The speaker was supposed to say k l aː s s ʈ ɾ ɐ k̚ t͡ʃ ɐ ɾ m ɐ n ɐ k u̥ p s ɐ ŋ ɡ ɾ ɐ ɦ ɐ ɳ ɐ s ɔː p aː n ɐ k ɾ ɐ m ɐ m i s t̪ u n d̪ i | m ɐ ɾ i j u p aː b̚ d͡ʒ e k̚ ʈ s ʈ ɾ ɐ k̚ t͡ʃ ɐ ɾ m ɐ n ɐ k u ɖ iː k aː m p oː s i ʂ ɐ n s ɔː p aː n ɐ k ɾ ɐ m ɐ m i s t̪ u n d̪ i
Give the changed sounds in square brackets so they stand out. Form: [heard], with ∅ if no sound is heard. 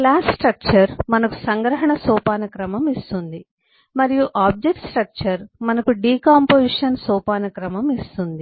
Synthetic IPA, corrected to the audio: k l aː s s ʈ ɾ ɐ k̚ t͡ʃ ɐ ɾ m ɐ n ɐ k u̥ [∅] s ɐ ŋ ɡ ɾ ɐ ɦ ɐ ɳ ɐ s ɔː p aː n ɐ k ɾ ɐ m ɐ m i s t̪ u n d̪ i | m ɐ ɾ i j u [ʔ] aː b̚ d͡ʒ e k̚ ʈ s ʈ ɾ ɐ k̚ t͡ʃ ɐ ɾ m ɐ n ɐ k u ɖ iː k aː m p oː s i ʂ ɐ n s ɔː p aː n ɐ k ɾ ɐ m ɐ m i s t̪ u n d̪ i